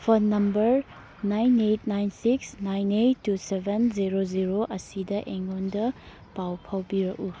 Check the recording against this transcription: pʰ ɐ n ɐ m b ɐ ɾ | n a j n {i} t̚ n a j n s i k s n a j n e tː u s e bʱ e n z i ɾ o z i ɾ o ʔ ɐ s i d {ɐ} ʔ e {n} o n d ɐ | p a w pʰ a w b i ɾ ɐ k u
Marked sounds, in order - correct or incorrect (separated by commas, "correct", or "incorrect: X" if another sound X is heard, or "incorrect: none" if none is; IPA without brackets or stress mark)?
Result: incorrect: e, correct, incorrect: ŋ